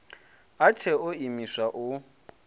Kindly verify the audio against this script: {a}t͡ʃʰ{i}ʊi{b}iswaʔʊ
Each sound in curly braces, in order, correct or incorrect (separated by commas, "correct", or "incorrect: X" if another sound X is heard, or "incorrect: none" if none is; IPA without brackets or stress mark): correct, incorrect: ɛ, incorrect: m